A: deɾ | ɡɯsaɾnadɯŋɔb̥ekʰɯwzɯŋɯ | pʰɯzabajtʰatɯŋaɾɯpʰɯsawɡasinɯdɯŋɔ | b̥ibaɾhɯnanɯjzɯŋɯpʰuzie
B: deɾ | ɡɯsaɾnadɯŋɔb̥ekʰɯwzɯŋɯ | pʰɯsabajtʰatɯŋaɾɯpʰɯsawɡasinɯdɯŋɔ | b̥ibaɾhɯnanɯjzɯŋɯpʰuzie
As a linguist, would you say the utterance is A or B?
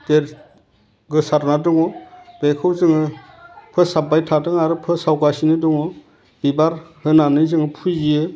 B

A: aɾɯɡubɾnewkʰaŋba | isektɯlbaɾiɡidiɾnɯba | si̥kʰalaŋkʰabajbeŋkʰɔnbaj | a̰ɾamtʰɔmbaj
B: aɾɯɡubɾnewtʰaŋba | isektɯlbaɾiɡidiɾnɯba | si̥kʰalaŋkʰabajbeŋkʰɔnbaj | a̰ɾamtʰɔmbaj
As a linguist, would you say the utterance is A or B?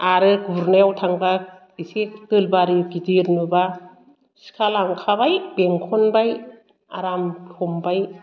B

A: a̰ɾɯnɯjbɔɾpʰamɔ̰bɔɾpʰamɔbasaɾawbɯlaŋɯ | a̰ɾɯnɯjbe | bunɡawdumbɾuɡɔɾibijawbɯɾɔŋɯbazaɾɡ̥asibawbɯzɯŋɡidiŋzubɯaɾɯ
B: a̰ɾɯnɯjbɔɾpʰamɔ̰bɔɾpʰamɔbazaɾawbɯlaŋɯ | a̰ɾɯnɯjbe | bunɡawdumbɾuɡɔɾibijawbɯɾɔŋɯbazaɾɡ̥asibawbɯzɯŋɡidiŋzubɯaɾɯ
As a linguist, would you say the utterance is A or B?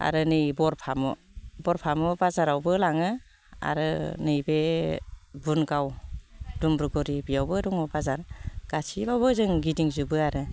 B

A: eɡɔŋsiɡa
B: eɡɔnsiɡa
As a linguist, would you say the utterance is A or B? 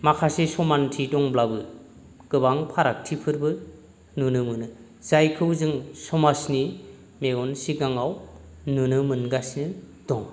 B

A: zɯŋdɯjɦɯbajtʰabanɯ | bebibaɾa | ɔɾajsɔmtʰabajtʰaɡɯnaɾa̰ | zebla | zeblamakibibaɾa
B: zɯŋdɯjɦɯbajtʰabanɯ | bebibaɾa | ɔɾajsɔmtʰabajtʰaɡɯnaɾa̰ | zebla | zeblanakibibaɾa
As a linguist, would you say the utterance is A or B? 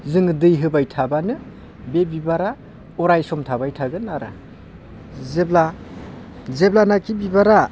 B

